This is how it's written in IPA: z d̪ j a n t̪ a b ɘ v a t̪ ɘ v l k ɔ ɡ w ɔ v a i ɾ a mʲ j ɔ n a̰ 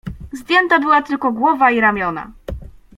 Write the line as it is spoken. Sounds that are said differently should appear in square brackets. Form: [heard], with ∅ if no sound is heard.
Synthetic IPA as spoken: z d̪ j [ɛ] n t̪ a b ɘ [w] a t̪ ɘ [∅] l k ɔ ɡ w ɔ v a i ɾ a mʲ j ɔ n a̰